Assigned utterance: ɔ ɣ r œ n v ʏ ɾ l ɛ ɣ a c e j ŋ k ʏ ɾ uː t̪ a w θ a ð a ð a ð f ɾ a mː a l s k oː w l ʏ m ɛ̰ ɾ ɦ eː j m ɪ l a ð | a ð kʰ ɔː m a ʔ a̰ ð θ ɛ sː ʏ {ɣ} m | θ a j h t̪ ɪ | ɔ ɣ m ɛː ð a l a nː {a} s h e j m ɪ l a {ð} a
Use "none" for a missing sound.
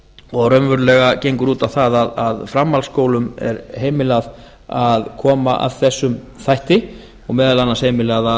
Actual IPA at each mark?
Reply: none, a, ð

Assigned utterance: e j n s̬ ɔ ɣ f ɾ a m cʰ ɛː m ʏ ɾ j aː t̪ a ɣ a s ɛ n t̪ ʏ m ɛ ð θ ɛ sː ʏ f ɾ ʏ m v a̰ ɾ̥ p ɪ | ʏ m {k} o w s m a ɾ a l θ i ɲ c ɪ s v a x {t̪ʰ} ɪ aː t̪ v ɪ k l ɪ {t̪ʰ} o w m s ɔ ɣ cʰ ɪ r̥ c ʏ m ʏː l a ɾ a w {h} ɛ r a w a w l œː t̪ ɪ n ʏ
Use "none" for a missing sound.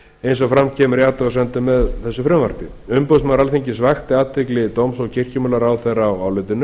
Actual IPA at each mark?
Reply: p, t̪, t̪, θ

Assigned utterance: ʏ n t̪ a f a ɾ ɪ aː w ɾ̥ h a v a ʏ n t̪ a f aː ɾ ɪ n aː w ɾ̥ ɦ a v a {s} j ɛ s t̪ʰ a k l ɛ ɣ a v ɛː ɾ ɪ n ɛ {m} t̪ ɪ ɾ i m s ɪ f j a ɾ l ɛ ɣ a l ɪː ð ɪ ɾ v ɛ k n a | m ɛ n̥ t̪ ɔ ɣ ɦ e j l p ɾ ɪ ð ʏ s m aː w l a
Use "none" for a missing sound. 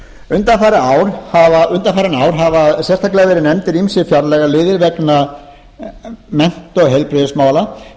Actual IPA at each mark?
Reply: s, m

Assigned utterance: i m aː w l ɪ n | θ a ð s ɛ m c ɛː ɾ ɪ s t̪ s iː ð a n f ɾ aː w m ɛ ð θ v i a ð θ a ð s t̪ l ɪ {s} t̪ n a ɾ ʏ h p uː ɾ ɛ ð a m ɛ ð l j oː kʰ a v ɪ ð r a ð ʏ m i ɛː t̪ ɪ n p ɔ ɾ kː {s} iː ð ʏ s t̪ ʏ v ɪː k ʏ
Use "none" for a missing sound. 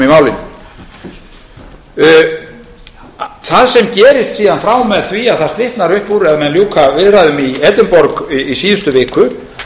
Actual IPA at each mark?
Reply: h, s

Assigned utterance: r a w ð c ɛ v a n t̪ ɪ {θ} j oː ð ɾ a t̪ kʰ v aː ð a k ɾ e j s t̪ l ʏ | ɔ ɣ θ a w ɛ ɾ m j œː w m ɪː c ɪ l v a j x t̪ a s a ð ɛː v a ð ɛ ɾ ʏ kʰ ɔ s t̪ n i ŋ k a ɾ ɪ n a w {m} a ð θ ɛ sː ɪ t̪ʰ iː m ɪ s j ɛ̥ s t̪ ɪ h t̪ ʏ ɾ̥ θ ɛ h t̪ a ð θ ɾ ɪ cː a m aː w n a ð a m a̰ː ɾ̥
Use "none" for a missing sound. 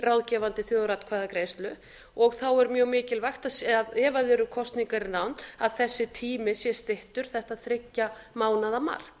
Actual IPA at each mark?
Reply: θ, n

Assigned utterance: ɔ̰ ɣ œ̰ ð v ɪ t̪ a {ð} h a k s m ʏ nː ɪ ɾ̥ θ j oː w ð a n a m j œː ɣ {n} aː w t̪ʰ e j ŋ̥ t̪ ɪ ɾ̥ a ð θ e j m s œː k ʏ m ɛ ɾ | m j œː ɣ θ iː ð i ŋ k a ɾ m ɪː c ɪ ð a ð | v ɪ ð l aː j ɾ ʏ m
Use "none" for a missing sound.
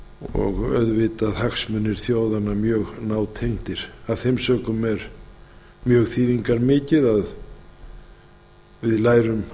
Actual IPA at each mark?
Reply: ð, n

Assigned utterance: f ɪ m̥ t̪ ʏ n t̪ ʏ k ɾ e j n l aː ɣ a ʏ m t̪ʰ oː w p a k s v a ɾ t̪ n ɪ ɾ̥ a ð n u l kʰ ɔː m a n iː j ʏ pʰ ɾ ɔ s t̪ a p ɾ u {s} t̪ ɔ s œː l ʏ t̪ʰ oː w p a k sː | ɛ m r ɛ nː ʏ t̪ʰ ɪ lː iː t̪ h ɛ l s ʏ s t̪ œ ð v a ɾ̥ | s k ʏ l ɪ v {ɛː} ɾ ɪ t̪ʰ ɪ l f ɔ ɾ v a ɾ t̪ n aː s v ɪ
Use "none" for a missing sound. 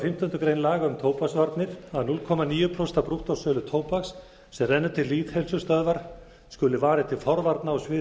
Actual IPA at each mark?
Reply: h, aː

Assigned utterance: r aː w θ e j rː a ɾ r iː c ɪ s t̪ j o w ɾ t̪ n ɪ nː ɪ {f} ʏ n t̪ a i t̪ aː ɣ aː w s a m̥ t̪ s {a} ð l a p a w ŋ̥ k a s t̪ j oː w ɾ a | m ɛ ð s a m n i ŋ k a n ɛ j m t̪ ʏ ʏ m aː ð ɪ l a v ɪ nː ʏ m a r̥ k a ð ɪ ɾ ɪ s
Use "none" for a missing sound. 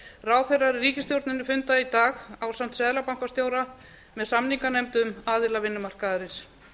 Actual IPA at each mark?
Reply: f, ɛ

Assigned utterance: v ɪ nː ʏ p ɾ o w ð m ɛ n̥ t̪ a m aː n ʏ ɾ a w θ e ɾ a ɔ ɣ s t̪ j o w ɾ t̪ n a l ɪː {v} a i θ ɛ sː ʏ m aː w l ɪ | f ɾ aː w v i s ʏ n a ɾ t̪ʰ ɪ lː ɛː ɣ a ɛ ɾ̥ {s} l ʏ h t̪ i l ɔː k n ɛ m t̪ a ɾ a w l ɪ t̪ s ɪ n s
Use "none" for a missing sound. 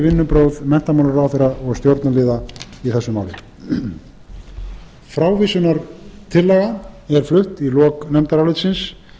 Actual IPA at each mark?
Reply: ð, f

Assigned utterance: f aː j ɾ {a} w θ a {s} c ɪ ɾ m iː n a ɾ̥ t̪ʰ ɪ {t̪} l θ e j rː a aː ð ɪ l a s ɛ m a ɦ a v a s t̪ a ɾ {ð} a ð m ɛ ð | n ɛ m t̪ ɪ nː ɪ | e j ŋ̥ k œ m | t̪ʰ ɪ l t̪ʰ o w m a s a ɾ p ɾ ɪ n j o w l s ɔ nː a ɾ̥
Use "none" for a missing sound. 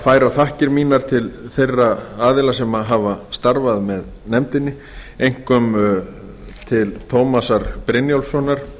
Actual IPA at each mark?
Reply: a, h, none, v

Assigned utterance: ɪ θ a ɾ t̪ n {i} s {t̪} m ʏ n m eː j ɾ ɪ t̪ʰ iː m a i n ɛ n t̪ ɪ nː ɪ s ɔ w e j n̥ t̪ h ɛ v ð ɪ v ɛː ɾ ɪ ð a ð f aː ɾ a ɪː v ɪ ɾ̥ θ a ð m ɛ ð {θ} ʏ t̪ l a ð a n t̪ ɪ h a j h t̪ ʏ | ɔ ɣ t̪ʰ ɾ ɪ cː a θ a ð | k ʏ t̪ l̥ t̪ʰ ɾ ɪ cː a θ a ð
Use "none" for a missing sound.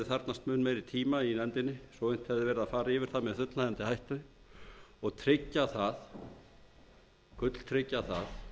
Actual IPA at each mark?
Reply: a, t̪, θ

